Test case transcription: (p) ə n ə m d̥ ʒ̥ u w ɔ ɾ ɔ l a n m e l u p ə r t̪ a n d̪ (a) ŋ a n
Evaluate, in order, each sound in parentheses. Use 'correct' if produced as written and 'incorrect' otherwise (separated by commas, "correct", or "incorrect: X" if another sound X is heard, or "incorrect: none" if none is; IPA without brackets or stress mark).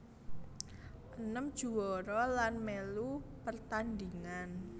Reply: incorrect: ʔ, incorrect: i